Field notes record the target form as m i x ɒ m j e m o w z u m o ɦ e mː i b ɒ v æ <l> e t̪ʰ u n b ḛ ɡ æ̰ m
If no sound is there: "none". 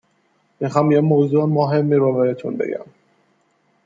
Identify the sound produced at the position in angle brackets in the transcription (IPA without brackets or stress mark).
ɾ